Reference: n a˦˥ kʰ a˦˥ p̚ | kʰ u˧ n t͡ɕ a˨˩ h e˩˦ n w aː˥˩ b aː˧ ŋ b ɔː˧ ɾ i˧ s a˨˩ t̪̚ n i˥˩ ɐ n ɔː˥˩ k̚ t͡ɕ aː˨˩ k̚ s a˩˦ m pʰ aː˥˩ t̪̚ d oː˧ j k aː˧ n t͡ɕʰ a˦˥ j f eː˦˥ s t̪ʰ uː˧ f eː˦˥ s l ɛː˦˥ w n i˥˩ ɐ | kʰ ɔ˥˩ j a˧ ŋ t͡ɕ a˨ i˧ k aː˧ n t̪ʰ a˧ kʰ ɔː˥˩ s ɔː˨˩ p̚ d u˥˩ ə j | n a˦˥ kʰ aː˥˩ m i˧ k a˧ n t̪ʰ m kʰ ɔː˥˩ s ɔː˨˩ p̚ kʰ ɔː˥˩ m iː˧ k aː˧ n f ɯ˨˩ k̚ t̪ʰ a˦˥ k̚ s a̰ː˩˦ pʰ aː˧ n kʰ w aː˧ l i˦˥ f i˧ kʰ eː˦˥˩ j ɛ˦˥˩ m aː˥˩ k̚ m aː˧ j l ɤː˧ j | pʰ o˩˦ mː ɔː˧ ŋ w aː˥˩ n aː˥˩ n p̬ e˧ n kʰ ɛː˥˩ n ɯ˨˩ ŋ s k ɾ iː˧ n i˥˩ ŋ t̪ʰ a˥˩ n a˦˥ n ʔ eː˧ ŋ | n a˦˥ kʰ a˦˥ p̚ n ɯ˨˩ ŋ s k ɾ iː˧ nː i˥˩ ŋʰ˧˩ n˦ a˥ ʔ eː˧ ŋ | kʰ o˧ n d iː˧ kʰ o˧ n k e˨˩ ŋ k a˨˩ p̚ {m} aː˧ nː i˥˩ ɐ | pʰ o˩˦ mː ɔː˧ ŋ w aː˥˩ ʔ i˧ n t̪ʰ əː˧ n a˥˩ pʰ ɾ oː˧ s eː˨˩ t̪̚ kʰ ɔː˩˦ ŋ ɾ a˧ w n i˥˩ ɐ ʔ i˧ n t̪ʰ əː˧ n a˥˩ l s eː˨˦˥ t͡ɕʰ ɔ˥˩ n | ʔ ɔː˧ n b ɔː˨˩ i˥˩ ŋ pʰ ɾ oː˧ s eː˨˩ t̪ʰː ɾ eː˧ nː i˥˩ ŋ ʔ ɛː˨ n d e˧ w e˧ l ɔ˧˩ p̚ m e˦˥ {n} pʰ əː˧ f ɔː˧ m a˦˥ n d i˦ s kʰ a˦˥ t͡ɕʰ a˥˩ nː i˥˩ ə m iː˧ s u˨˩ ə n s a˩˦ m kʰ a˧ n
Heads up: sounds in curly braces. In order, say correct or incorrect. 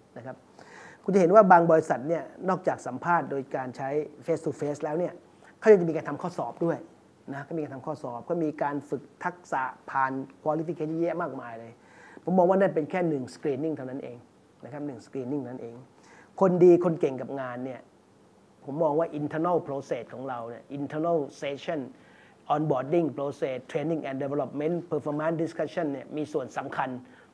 incorrect, correct

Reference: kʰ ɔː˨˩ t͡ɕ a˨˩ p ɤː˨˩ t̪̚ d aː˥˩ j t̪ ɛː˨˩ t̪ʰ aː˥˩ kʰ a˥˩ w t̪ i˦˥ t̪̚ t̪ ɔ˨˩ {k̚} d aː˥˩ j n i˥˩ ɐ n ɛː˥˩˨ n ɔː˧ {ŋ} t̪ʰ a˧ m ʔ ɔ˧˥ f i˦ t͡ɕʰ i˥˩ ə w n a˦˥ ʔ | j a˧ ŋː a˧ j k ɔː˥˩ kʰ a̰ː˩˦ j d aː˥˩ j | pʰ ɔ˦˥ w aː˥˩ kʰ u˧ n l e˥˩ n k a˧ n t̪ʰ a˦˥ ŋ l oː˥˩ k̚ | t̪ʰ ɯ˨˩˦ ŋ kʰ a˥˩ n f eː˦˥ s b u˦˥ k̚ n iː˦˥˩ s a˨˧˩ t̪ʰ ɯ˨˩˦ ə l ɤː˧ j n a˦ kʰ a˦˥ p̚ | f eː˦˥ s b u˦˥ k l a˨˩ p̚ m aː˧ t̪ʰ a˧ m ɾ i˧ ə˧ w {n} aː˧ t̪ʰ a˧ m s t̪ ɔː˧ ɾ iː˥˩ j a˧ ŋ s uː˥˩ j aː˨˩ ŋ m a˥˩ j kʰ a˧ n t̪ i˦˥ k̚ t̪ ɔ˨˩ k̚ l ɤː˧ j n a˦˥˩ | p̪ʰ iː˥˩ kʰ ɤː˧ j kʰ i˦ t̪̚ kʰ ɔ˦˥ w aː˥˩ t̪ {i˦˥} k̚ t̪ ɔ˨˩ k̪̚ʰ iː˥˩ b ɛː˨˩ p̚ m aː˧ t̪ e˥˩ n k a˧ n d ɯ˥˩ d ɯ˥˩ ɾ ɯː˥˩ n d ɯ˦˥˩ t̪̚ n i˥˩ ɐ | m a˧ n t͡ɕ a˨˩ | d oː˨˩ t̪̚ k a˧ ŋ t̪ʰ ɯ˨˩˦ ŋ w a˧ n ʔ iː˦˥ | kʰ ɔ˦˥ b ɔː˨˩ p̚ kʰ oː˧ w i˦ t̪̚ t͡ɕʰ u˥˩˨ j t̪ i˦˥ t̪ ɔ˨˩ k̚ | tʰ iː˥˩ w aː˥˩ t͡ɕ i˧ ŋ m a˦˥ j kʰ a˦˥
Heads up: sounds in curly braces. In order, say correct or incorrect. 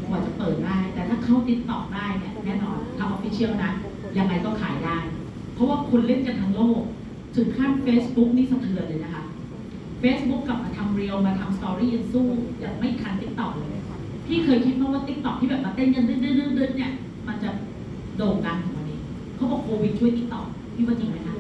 correct, incorrect, incorrect, correct

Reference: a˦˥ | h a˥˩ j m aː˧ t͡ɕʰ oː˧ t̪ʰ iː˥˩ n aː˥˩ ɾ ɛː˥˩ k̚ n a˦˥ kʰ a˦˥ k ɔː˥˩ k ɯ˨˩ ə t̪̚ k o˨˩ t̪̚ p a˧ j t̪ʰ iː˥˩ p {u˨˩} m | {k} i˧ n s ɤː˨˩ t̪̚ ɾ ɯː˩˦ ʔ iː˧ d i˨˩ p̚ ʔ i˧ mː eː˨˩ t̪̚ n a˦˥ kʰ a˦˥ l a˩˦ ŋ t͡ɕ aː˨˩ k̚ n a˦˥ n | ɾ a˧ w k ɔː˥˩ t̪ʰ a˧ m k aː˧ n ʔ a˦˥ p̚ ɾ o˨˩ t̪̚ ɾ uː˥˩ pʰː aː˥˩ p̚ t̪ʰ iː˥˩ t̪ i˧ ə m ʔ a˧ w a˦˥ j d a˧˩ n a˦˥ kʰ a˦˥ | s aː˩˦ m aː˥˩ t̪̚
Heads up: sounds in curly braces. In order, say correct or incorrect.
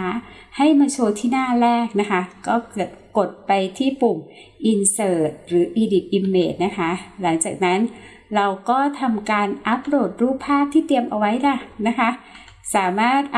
correct, incorrect

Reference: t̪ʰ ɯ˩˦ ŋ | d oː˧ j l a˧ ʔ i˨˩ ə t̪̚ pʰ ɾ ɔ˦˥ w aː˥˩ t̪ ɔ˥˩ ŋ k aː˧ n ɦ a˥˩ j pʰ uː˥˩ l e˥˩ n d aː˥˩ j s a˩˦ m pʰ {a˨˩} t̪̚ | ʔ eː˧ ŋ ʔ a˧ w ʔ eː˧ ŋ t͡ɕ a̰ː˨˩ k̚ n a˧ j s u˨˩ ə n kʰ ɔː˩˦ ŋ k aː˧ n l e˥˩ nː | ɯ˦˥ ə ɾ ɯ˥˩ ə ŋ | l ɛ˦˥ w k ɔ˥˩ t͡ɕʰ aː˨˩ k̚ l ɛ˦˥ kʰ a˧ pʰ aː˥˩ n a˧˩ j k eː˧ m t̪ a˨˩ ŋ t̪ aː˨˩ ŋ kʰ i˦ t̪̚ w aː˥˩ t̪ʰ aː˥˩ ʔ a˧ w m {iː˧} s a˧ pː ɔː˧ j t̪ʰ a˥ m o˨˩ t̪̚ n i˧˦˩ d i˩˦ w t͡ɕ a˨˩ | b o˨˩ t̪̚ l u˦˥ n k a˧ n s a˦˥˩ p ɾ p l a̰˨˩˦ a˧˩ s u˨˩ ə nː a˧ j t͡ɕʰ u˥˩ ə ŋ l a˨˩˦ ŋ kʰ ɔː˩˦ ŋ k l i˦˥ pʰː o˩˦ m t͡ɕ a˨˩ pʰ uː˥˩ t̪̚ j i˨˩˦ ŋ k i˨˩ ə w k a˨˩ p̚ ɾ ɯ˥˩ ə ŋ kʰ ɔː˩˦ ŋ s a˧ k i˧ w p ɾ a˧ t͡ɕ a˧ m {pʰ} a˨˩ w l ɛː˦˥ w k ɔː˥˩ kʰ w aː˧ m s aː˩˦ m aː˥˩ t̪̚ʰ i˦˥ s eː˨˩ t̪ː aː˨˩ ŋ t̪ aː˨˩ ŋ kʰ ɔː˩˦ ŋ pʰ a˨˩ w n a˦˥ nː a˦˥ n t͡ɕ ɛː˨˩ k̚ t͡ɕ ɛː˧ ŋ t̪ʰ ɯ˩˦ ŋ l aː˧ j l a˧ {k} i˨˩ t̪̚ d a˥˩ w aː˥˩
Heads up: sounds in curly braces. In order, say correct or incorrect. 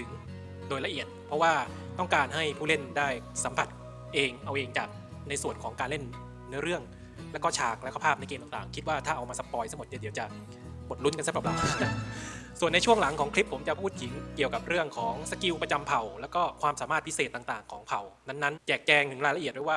correct, incorrect, correct, incorrect

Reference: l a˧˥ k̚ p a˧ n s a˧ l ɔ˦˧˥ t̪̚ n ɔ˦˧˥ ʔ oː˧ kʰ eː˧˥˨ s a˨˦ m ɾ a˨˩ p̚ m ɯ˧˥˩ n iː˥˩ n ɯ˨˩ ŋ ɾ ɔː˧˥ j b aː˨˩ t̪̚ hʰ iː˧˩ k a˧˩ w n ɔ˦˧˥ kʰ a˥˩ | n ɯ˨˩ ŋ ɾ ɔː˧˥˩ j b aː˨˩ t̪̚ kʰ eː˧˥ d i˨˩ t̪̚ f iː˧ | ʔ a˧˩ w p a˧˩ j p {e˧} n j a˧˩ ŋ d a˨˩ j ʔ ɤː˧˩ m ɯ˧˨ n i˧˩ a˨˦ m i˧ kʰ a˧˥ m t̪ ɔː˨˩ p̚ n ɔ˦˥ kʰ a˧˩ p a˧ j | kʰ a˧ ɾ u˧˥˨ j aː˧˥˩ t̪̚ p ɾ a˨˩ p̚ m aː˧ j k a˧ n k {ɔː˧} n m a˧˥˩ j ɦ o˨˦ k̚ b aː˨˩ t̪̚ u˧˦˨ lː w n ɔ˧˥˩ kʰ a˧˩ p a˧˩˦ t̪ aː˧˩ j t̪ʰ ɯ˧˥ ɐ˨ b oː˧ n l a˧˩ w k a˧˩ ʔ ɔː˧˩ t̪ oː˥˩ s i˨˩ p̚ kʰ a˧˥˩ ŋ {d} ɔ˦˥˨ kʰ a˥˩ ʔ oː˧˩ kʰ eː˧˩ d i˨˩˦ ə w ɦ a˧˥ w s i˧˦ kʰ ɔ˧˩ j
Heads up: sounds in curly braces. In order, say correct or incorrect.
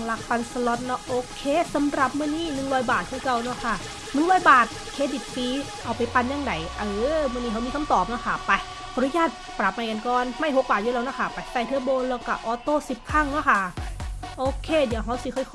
incorrect, correct, incorrect

